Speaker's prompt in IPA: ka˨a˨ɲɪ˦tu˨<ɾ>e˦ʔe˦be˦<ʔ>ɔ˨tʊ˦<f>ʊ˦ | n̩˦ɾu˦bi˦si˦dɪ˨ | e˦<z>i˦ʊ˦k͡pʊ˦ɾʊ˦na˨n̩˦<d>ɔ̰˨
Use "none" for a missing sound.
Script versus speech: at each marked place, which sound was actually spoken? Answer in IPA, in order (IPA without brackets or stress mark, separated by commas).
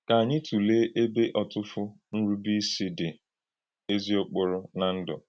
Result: l, ʔ, f, z, d